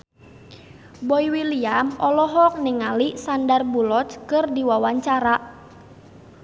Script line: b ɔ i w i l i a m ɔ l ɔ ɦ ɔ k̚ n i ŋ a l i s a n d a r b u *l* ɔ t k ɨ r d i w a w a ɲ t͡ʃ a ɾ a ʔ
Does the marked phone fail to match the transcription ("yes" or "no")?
no